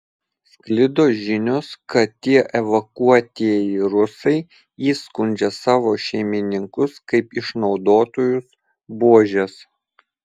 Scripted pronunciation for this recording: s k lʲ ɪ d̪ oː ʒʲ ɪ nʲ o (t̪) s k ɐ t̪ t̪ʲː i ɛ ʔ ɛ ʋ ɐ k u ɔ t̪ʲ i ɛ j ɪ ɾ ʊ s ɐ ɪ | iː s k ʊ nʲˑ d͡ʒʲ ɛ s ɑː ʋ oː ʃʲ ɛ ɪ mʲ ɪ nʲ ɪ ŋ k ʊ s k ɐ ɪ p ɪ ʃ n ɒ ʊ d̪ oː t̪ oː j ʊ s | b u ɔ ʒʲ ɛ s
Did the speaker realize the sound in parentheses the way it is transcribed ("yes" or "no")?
no